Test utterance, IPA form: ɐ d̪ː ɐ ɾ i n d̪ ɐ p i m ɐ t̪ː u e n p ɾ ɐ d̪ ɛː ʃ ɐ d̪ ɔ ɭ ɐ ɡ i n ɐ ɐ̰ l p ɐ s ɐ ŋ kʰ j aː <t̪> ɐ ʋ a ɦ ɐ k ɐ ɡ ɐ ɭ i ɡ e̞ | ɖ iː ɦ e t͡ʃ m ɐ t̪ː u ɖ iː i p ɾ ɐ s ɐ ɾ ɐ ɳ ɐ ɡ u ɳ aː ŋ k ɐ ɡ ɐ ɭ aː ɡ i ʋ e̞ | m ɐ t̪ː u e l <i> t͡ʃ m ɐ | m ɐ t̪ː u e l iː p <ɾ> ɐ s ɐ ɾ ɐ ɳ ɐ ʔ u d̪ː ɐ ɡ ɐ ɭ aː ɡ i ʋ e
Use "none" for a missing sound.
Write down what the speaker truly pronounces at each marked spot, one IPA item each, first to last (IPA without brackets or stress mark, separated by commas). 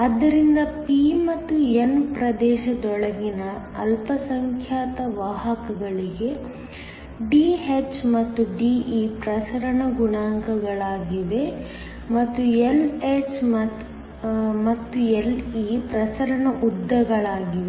t̪, e, ɾ